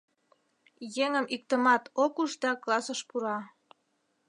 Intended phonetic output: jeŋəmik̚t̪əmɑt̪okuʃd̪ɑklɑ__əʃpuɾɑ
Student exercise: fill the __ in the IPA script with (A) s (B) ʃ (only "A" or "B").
A